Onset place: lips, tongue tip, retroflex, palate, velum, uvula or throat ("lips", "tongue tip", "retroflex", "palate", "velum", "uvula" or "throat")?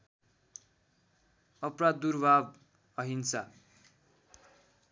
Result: lips